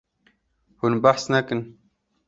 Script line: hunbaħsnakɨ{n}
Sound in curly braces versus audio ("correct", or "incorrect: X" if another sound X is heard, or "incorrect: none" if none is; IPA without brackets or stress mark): correct